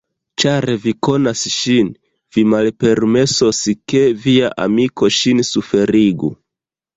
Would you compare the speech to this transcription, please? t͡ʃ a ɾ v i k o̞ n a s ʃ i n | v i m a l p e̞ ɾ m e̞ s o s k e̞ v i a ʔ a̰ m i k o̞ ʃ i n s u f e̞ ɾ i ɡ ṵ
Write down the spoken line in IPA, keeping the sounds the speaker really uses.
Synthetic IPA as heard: t͡ʃ a ɾ v i k o̞ n a s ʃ i n | v i m a l p e̞ ɾ m e̞ s o s k e̞ v i a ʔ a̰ m i k o̞ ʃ i n s u f e̞ ɾ i ɡ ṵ

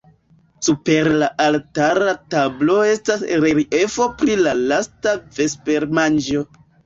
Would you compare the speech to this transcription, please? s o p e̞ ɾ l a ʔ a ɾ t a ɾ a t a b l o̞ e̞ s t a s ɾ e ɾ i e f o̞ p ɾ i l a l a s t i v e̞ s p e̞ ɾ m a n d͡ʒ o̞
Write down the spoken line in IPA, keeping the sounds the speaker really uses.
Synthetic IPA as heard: s u p e̞ ɾ l a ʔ a l t a ɾ a t a b l o̞ e̞ s t a s ɾ e ɾ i e f o̞ p ɾ i l a l a s t a v e̞ s p e̞ ɾ m a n d͡ʒ o̞

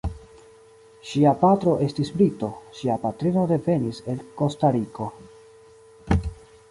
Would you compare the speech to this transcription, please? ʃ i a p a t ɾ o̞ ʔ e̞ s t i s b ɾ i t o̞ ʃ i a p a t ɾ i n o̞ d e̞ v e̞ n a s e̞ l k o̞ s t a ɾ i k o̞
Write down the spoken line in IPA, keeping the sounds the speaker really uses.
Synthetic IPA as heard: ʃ i a p a t ɾ o̞ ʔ e̞ s t i s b ɾ i t o̞ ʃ i a p a t ɾ i n o̞ d e̞ v e̞ n i s e̞ l k o̞ s t a ɾ i k o̞

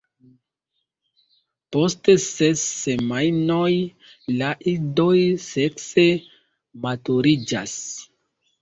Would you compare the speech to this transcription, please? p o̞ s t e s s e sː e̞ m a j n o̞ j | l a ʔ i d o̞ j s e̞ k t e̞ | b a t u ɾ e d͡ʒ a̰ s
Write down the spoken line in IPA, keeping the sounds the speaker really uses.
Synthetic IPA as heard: p o̞ s t e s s e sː e̞ m a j n o̞ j | l a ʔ i d o̞ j s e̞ k s e̞ | m a t u ɾ i d͡ʒ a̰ s

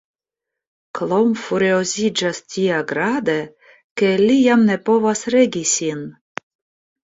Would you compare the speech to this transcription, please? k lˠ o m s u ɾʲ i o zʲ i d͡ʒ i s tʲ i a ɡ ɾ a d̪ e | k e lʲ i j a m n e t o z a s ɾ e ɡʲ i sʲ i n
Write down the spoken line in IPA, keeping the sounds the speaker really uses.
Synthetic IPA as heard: k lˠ o m f u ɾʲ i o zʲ i d͡ʒ a s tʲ i a ɡ ɾ a d̪ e | k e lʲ i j a m n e p o v a s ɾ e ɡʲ i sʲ i n

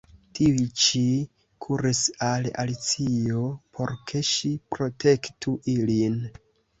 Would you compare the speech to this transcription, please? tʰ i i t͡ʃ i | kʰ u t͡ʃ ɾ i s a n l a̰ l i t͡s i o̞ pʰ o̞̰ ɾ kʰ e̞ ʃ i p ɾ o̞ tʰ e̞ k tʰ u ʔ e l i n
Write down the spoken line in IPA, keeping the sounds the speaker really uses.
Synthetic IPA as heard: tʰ i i t͡ʃ i | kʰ u ɾ i s a l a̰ l i t͡s i o̞ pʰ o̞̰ ɾ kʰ e̞ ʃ i p ɾ o̞ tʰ e̞ k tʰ u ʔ i l i n

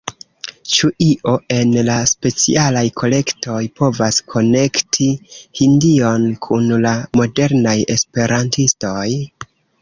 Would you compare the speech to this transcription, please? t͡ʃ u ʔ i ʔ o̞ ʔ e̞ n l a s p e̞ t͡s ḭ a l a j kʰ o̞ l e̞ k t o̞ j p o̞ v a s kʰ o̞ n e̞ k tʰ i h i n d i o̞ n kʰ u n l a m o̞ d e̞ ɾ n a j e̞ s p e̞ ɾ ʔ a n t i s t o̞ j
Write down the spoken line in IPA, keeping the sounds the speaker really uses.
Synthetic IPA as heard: t͡ʃ u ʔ i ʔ o̞ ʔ e̞ n l a s p e̞ t͡s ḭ a l a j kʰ o̞ l e̞ k t o̞ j p o̞ v a s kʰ o̞ n e̞ k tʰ i h i n d i o̞ n kʰ u n l a m o̞ d e̞ ɾ n a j e̞ s p e̞ ɾ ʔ a n t i s t o̞ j

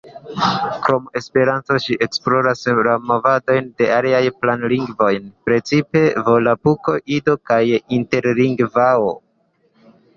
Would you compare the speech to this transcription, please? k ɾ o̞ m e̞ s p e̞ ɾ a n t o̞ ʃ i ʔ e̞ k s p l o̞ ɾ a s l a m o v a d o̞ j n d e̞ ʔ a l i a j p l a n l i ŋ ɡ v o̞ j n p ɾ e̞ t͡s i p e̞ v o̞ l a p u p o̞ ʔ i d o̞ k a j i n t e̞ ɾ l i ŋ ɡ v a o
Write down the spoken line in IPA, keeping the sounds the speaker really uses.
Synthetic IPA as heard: k ɾ o̞ m e̞ s p e̞ ɾ a n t o̞ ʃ i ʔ e̞ k s p l o̞ ɾ a s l a m o v a d o̞ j n d e̞ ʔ a l i a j p l a n l i ŋ ɡ v o̞ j n p ɾ e̞ t͡s i p e̞ v o̞ l a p u k o̞ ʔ i d o̞ k a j i n t e̞ ɾ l i ŋ ɡ v a o

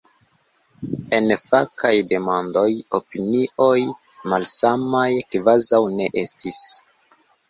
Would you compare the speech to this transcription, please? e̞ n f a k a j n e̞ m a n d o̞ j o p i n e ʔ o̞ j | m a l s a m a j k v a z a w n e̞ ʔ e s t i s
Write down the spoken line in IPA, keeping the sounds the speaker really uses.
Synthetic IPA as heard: e̞ n f a k a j d e̞ m a n d o̞ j o p i n i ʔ o̞ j | m a l s a m a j k v a z a w n e̞ ʔ e s t i s

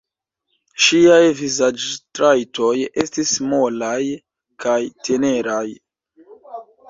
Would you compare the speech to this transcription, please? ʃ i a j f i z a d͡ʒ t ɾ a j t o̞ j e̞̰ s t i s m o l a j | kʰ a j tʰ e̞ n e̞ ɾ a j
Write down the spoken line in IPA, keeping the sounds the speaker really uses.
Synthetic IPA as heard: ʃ i a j v i z a d͡ʒ t ɾ a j t o̞ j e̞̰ s t i s m o l a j | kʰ a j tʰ e̞ n e̞ ɾ a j

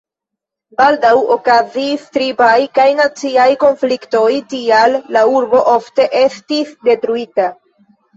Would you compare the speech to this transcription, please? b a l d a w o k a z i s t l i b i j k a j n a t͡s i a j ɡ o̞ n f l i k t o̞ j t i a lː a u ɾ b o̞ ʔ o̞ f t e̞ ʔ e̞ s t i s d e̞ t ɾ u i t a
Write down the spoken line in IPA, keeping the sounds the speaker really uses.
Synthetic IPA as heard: b a l d a w o k a z i s t ɾ i b a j k a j n a t͡s i a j k o̞ n f l i k t o̞ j t i a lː a u ɾ b o̞ ʔ o̞ f t e̞ ʔ e̞ s t i s d e̞ t ɾ u i t a

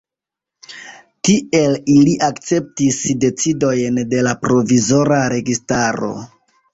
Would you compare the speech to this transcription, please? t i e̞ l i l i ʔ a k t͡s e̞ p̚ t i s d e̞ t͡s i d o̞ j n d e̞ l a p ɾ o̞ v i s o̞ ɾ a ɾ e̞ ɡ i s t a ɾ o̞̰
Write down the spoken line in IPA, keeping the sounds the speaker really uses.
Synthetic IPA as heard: t i e̞ l i l i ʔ a k t͡s e̞ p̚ t i s d e̞ t͡s i d o̞ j n d e̞ l a p ɾ o̞ v i z o̞ ɾ a ɾ e̞ ɡ i s t a ɾ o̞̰

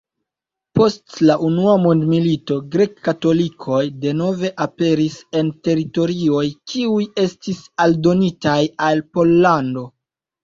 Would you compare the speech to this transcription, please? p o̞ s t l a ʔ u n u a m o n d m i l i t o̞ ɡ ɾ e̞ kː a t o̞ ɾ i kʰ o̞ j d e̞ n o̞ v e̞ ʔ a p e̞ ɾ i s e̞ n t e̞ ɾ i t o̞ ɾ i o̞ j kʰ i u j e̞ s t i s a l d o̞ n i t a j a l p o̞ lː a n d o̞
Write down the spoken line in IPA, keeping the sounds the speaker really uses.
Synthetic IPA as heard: p o̞ s t l a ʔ u n u a m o n d m i l i t o̞ ɡ ɾ e̞ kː a t o̞ l i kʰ o̞ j d e̞ n o̞ v e̞ ʔ a p e̞ ɾ i s e̞ n t e̞ ɾ i t o̞ ɾ i o̞ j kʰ i u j e̞ s t i s a l d o̞ n i t a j a l p o̞ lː a n d o̞

